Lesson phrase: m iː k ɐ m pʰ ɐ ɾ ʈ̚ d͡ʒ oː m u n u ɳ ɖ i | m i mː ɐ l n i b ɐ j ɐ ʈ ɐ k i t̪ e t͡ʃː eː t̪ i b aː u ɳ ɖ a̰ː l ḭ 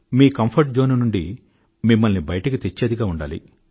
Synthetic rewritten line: m iː k ɐ m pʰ ɐ ɾ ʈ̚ d͡ʒ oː n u n u ɳ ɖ i | m i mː ɐ l n i b ɐ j ɐ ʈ ɐ k i t̪ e t͡ʃː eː d̪ i ɡ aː u ɳ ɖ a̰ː l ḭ